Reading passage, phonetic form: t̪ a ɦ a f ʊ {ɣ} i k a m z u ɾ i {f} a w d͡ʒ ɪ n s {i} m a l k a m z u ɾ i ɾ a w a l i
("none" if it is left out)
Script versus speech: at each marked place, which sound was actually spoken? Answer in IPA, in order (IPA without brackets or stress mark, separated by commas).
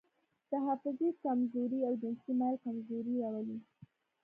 z, none, i